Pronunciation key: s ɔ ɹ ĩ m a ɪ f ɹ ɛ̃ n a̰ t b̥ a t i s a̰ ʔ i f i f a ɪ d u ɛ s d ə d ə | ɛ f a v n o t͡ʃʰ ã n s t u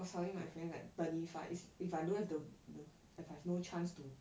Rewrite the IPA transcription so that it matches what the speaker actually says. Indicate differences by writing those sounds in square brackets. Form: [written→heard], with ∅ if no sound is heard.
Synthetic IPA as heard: s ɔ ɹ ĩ m a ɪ f ɹ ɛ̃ n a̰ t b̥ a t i [s→f] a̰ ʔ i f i f a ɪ d u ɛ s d ə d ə | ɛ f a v n o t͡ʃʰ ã n s t u